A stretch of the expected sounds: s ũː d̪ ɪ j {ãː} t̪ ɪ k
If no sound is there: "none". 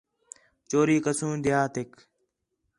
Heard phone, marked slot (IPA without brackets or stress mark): aː